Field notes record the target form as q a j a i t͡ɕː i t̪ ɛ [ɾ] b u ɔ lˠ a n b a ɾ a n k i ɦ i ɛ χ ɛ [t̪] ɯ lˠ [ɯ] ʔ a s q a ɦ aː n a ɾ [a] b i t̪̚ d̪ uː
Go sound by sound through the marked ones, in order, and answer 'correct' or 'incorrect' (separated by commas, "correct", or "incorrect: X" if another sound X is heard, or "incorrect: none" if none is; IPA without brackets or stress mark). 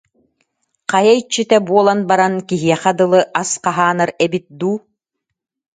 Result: incorrect: none, incorrect: d̪, correct, incorrect: ɛ